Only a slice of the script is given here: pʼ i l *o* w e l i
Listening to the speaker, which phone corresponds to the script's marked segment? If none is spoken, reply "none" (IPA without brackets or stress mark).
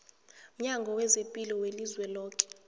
ɔ